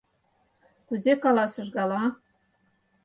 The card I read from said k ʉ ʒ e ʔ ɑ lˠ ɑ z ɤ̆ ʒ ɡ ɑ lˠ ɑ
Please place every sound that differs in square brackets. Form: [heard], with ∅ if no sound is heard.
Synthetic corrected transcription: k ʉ [z] e [k] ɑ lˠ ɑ [s] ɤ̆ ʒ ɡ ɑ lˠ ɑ